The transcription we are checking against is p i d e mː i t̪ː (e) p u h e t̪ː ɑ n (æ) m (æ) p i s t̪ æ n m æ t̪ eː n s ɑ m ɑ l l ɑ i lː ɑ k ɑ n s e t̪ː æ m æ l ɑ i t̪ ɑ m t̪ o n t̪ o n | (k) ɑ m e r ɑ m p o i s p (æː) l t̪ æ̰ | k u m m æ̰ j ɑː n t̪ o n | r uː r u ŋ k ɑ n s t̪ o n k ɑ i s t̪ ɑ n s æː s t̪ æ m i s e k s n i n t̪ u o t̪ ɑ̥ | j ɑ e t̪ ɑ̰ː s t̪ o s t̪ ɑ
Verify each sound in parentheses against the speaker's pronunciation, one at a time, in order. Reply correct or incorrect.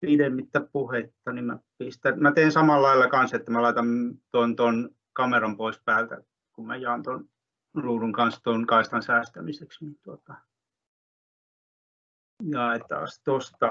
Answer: incorrect: æ, incorrect: i, correct, correct, correct

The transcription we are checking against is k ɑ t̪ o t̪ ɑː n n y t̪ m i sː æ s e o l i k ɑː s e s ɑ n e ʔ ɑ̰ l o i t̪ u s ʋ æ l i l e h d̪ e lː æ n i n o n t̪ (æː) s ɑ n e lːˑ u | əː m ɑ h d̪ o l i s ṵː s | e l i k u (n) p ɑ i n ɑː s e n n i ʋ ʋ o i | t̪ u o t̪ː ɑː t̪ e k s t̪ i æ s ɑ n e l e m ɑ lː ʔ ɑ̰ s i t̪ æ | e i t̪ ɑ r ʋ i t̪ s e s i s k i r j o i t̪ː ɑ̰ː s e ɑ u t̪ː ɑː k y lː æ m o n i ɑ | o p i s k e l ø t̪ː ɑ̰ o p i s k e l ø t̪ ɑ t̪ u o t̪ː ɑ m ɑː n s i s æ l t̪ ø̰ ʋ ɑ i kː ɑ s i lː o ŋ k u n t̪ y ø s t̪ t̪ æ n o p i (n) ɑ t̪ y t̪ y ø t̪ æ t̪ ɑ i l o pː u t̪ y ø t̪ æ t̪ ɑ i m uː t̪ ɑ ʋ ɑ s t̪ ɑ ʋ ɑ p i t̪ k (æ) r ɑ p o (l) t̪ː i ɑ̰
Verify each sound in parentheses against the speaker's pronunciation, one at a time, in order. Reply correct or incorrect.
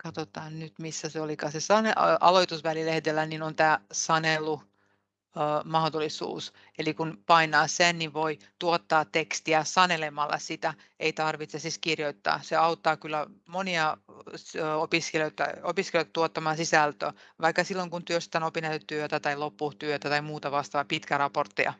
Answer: correct, correct, correct, correct, incorrect: r

